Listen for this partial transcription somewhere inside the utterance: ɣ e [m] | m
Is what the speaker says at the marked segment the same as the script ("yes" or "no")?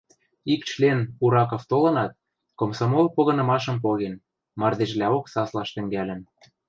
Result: no